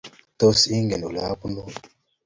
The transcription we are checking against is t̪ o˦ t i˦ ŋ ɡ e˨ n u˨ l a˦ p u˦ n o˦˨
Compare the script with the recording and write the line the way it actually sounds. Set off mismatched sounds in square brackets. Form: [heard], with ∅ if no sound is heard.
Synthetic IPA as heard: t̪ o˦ [s] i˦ ŋ ɡ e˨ n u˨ l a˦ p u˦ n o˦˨